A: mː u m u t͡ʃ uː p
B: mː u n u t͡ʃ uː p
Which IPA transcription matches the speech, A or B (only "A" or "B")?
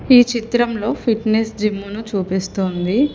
B